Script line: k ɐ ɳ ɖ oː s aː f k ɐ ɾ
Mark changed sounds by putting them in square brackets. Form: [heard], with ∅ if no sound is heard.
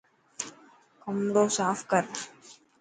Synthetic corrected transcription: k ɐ [m] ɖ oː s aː f k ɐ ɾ